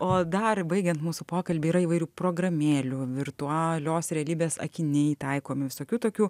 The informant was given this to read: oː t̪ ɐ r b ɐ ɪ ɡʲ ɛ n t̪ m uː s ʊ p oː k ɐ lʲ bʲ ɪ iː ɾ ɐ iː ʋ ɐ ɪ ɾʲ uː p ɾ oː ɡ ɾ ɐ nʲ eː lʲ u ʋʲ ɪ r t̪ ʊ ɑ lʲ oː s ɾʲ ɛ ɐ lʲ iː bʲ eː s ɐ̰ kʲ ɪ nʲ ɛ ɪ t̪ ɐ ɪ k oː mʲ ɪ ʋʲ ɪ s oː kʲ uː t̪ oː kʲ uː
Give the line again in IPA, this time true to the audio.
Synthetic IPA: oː d̪ ɐ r b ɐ ɪ ɡʲ ɛ n t̪ m uː s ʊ p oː k ɐ lʲ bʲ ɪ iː ɾ ɐ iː ʋ ɐ ɪ ɾʲ uː p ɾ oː ɡ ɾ ɐ mʲ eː lʲ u ʋʲ ɪ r t̪ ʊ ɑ lʲ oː s ɾʲ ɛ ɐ lʲ iː bʲ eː s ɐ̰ kʲ ɪ nʲ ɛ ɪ t̪ ɐ ɪ k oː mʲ ɪ ʋʲ ɪ s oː kʲ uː t̪ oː kʲ uː